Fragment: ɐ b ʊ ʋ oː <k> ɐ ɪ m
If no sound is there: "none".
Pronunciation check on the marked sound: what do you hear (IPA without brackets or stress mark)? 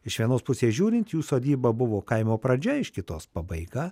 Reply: k